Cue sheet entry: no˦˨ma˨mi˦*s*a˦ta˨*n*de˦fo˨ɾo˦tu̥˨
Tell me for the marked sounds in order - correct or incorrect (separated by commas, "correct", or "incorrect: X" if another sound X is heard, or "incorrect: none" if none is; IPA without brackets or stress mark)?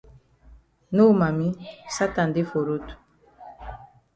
correct, correct